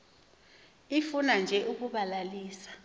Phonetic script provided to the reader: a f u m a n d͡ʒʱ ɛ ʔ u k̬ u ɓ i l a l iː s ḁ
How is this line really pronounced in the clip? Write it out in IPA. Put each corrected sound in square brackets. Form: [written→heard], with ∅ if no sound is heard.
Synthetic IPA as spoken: [a→i] f u [m→n] a n d͡ʒʱ ɛ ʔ u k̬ u ɓ [i→a] l a l iː s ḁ